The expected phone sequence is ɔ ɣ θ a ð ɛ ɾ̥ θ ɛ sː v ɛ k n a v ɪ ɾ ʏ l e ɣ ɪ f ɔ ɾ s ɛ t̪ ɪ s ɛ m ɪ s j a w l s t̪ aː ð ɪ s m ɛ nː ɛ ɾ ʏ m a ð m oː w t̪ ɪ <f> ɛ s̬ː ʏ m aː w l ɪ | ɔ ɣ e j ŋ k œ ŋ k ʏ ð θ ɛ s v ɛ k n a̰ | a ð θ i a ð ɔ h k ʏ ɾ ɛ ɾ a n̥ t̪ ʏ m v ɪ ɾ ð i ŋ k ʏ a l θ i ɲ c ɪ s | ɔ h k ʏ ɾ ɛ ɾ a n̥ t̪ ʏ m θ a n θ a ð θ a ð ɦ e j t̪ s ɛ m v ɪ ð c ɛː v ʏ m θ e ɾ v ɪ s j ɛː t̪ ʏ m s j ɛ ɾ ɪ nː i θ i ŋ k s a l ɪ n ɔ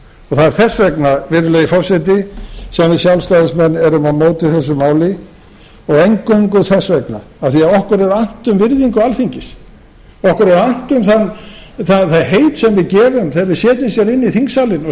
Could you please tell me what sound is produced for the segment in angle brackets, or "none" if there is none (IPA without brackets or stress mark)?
θ